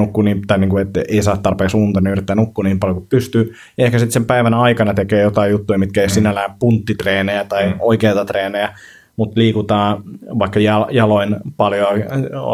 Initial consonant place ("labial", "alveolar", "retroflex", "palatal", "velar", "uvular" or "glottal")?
velar